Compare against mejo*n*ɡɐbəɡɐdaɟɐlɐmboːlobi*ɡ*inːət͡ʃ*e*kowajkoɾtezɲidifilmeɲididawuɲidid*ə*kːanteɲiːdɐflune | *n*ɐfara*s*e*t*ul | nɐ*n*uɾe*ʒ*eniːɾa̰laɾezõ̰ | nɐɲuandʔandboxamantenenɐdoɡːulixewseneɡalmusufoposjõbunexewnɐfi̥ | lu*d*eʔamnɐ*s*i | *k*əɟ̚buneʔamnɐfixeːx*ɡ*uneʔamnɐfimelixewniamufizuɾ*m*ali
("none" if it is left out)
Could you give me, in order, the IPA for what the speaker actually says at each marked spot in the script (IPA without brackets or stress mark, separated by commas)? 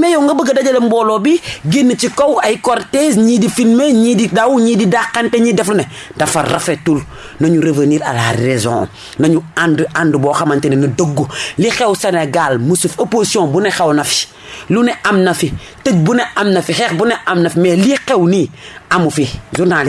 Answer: ŋ, ɡ, i, a, d, f, t, ɲ, v, n, f, t, b, n